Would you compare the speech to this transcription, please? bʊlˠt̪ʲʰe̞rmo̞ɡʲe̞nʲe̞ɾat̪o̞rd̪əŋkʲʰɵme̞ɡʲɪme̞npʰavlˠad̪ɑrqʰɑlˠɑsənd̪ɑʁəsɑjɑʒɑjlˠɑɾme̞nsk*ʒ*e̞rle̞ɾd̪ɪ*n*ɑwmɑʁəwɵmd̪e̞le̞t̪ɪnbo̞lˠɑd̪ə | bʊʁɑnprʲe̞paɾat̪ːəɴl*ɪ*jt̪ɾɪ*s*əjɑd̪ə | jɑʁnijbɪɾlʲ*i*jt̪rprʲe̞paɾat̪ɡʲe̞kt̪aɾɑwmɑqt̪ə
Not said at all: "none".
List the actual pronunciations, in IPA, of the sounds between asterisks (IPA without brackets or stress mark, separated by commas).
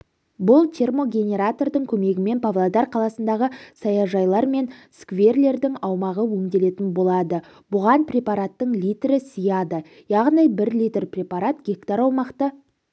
v, ŋ, i, s, i